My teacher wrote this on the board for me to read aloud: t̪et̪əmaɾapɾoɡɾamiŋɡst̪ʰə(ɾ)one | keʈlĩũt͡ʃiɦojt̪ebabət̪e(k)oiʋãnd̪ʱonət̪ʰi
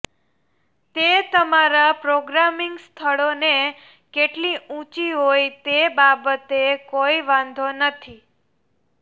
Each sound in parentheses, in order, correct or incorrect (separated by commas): incorrect, correct